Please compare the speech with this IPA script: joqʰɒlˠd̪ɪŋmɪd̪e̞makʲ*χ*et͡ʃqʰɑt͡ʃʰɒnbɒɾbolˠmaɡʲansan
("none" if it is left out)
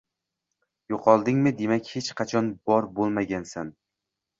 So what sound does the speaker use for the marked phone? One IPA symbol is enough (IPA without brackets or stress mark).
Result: h